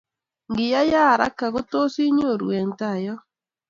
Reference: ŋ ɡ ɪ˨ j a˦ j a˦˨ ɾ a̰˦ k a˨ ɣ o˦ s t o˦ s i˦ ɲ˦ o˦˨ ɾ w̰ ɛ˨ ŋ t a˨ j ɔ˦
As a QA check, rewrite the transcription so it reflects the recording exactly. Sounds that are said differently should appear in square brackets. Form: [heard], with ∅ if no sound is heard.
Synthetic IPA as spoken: ŋ ɡ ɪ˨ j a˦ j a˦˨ ɾ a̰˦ k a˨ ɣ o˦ [∅] t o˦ s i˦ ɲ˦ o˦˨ ɾ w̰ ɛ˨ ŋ t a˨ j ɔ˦